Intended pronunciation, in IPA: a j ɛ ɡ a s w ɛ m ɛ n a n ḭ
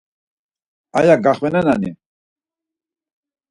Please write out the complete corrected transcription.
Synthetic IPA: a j a ɡ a χ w ɛ n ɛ n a n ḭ